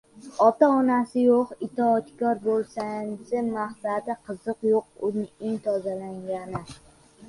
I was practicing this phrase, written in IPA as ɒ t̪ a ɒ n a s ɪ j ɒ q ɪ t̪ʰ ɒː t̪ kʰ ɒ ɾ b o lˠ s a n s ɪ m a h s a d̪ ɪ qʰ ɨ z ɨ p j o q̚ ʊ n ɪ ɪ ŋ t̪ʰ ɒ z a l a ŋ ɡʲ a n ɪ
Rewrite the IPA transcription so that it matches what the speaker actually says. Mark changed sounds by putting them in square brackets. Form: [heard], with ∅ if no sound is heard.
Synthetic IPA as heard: ɒ t̪ a ɒ n a s ɪ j [o] q ɪ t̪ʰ ɒː t̪ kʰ ɒ ɾ b o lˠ s a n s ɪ m a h s a d̪ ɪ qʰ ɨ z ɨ [q] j o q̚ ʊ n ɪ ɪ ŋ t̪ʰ ɒ z a l a ŋ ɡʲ a n ɪ

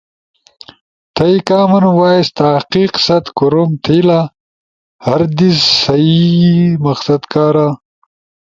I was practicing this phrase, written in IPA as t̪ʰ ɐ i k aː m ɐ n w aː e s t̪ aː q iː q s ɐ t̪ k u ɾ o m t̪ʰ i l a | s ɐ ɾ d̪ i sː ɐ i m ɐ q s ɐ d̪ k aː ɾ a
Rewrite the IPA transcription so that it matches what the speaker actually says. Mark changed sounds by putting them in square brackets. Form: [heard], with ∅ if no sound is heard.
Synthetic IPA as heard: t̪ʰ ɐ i k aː m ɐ n w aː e s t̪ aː q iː q s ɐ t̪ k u ɾ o m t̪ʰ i l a | [h] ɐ ɾ d̪ i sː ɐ i m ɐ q s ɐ d̪ k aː ɾ a

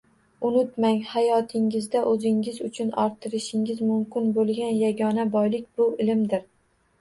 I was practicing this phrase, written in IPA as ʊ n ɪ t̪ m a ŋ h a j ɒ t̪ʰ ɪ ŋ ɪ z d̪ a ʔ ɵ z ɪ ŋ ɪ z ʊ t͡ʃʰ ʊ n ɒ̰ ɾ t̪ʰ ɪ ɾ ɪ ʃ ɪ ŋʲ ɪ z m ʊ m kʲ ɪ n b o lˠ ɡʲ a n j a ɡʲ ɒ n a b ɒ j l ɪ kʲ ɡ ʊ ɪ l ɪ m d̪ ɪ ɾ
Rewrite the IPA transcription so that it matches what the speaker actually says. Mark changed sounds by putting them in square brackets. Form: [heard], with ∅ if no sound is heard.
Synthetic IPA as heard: ʊ n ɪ t̪ m a ŋ h a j ɒ t̪ʰ ɪ ŋ ɪ z d̪ a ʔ ɵ z ɪ ŋ ɪ z ʊ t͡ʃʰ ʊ n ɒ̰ ɾ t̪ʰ ɪ ɾ ɪ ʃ ɪ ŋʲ ɪ z m ʊ m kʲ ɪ n b o lˠ ɡʲ a n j a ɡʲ ɒ n a b ɒ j l ɪ kʲ [b] ʊ ɪ l ɪ m d̪ ɪ ɾ

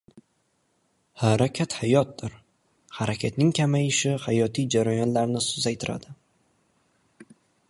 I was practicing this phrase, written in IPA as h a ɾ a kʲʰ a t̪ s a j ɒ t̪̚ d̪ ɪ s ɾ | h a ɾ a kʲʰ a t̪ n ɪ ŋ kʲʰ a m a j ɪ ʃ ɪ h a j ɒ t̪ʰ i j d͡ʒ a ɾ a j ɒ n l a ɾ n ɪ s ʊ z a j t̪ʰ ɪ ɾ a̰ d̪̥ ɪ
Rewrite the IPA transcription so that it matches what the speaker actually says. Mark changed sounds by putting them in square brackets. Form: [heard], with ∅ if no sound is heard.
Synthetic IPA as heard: h a ɾ a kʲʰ a t̪ [h] a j ɒ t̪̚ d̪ ɪ [∅] ɾ | h a ɾ a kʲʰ a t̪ n ɪ ŋ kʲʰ a m a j ɪ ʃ ɪ h a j ɒ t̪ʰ i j d͡ʒ a ɾ a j ɒ n l a ɾ n ɪ s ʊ z a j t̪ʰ ɪ ɾ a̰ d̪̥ ɪ

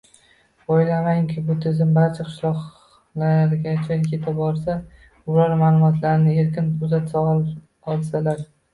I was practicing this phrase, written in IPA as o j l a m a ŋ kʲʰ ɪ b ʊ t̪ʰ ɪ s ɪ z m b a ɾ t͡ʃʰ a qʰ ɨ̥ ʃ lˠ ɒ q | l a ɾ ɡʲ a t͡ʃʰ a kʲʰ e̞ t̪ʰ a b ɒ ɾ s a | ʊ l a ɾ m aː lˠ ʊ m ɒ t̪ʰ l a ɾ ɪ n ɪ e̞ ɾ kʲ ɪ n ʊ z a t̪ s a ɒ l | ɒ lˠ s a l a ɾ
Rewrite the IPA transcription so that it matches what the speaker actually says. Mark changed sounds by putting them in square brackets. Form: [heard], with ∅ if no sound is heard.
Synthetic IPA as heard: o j l a m a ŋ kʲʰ ɪ b ʊ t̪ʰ ɪ [z] ɪ [∅] m b a ɾ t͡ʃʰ a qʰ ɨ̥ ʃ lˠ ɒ q | l a ɾ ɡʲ a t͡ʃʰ a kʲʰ e̞ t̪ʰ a b ɒ ɾ s a | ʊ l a ɾ m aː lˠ ʊ m ɒ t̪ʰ l a ɾ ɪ n ɪ e̞ ɾ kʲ ɪ n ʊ z a t̪ s a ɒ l | ɒ lˠ s a l a ɾ

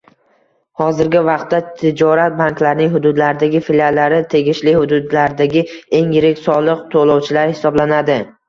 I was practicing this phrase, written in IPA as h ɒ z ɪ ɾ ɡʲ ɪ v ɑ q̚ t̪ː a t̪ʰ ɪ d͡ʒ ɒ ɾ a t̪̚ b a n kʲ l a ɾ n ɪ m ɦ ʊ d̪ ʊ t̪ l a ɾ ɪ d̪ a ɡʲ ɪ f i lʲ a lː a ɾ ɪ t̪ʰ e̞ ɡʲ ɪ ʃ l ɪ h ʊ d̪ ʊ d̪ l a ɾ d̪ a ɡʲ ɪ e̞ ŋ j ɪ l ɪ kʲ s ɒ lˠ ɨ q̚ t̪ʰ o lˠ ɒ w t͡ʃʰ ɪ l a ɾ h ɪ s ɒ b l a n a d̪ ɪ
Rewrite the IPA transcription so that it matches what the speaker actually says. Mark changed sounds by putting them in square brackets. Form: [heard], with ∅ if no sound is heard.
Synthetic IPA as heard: h ɒ z ɪ ɾ ɡʲ ɪ v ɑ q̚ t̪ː a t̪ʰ ɪ d͡ʒ ɒ ɾ a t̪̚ b a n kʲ l a ɾ n ɪ [ŋ] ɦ ʊ d̪ ʊ [d̪] l a ɾ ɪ d̪ a ɡʲ ɪ f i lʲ a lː a ɾ ɪ t̪ʰ e̞ ɡʲ ɪ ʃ l ɪ h ʊ d̪ ʊ d̪ l a ɾ d̪ a ɡʲ ɪ e̞ ŋ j ɪ [ɾ] ɪ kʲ s ɒ lˠ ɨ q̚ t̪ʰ o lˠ ɒ w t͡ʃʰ ɪ l a ɾ h ɪ s ɒ b l a n a d̪ ɪ

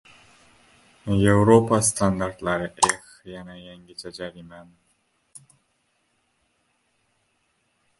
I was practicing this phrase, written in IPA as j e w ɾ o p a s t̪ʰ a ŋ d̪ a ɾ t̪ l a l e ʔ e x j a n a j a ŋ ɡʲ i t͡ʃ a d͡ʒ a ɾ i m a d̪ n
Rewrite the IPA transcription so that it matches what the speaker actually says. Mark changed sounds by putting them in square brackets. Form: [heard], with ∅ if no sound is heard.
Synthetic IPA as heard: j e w ɾ o p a s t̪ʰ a [n] d̪ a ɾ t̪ l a [ɾ] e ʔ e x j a n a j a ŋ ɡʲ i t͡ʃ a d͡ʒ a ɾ i m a [∅] n

